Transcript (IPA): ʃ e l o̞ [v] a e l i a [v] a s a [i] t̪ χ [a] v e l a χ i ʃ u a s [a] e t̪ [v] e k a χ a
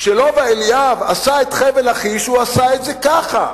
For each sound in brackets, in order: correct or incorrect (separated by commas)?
correct, correct, incorrect, incorrect, correct, incorrect